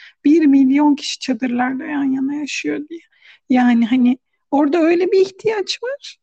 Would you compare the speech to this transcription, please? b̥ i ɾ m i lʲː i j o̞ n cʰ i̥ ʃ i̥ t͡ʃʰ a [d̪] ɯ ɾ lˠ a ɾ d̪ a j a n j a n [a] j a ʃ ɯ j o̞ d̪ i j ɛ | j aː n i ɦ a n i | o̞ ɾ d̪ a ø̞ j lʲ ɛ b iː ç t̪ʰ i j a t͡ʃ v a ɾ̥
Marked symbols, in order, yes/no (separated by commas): yes, yes